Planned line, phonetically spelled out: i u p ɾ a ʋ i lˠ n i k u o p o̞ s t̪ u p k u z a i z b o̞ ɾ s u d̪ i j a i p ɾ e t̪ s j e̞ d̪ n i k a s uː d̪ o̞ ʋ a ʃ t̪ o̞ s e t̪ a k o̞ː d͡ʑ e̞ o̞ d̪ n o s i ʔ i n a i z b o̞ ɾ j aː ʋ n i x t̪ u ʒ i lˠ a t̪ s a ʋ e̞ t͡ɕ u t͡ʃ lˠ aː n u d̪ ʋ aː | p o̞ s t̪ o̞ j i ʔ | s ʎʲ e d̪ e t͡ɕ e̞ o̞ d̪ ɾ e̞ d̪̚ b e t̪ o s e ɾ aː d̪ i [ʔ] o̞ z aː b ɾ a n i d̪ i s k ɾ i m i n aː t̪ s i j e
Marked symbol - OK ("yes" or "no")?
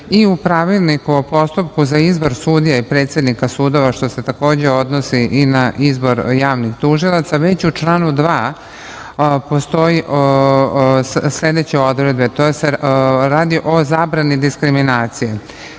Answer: yes